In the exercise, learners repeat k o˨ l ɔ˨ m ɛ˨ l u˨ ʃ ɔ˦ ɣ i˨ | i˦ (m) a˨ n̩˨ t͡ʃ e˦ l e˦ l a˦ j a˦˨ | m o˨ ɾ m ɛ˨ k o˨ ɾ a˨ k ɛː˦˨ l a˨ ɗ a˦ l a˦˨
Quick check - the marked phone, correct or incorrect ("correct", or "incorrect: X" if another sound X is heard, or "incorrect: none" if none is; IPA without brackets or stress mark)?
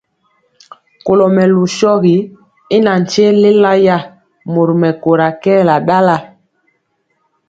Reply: incorrect: n